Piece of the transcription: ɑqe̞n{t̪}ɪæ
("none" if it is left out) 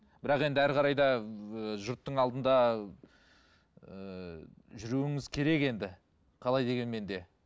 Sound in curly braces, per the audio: d̪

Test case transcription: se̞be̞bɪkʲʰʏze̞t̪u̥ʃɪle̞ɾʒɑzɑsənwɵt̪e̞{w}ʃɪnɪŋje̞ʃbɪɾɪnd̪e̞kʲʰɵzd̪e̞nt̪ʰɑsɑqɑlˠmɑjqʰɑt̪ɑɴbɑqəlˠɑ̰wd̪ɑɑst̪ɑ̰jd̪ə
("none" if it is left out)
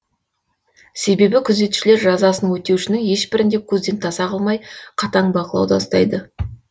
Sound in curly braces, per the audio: w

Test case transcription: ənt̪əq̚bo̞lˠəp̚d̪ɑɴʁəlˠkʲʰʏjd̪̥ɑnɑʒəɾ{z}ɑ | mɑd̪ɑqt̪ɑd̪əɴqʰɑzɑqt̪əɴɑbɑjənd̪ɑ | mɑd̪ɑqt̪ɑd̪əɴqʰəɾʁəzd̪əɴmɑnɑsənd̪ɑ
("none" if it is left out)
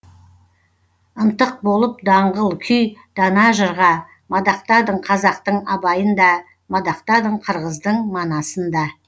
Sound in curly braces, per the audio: ʁ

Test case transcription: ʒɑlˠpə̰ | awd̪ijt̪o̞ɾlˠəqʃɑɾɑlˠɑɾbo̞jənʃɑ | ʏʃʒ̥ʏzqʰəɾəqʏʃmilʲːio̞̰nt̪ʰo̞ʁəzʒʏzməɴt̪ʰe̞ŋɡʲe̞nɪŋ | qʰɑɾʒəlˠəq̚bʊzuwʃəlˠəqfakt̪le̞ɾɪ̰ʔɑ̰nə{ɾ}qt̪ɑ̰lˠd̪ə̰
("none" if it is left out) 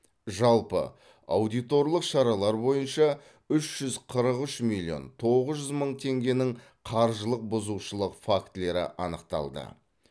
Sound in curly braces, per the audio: none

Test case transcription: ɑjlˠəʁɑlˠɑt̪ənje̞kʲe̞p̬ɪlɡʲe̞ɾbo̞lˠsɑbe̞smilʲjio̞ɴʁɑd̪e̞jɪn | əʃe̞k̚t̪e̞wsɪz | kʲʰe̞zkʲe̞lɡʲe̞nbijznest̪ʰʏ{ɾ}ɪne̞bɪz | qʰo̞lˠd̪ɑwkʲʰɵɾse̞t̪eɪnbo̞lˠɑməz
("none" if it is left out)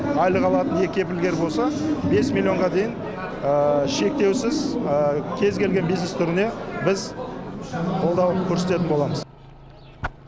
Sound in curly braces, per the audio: ɾ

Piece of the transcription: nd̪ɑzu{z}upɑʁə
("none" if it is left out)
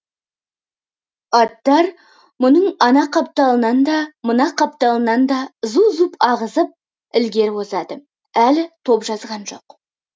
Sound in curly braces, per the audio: z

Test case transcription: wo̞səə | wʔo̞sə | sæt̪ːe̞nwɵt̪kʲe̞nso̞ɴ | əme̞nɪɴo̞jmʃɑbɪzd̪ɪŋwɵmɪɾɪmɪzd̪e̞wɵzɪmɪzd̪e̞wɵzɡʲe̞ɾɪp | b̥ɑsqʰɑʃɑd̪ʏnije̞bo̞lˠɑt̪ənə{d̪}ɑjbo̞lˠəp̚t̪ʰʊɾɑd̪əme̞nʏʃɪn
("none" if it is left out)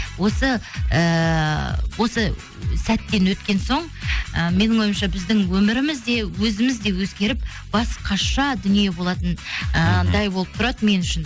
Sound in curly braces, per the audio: d̪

